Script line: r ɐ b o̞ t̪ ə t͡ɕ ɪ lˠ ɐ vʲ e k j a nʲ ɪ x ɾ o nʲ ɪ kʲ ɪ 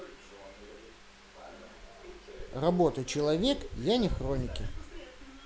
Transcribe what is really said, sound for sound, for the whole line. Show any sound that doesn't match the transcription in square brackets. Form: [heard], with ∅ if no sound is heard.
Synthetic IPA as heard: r ɐ b o̞ t̪ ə t͡ɕ ɪ lˠ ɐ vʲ e k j a nʲ ɪ x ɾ o nʲ ɪ kʲ ɪ